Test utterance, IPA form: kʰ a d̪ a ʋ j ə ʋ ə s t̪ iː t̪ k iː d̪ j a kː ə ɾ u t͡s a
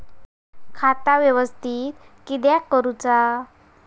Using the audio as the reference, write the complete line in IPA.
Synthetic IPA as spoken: kʰ a t̪ a ʋ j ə ʋ ə s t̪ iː t̪ k i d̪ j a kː ə ɾ u t͡s a